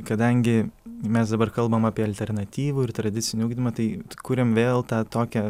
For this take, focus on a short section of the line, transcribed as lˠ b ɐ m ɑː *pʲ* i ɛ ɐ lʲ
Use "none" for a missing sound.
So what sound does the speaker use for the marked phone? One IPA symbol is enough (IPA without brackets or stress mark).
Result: pʲ